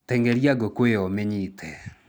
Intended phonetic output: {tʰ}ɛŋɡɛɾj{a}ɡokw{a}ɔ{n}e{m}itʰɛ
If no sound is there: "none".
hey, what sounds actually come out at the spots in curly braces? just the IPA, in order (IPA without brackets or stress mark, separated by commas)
t, a, e, m, ɲ